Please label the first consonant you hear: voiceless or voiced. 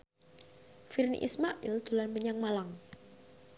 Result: voiceless